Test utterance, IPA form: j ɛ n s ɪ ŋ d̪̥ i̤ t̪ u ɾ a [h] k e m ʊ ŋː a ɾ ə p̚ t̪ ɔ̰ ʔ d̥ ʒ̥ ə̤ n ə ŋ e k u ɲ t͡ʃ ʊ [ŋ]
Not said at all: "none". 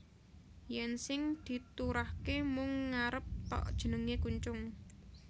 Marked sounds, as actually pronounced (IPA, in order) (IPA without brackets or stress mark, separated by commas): h, ŋ